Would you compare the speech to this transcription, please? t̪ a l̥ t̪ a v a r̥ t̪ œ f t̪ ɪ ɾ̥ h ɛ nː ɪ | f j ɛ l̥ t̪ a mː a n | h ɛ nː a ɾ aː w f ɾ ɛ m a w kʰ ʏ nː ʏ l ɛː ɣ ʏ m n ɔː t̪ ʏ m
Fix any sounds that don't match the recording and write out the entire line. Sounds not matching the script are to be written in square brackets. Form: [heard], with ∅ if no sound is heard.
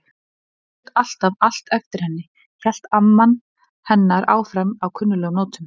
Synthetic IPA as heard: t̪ a l̥ t̪ a v a [l̥] t̪ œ f t̪ ɪ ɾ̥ h ɛ nː ɪ | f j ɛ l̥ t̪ a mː a n | h ɛ nː a ɾ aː w f ɾ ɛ m a w kʰ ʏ nː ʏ l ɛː ɣ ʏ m n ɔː t̪ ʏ m